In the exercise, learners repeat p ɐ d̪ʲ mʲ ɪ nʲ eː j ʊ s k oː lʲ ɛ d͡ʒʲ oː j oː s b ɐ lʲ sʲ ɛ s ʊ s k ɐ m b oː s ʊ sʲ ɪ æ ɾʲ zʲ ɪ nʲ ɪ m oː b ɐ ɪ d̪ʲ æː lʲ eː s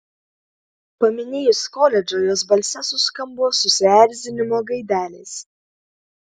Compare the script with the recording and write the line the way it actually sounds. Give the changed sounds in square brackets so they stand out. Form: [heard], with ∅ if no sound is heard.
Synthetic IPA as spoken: p ɐ [∅] mʲ ɪ nʲ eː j ʊ s k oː lʲ ɛ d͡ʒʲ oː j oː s b ɐ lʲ sʲ ɛ s ʊ s k ɐ m b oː s ʊ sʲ ɪ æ ɾʲ zʲ ɪ nʲ ɪ m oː [ɡ] ɐ ɪ d̪ʲ æː lʲ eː s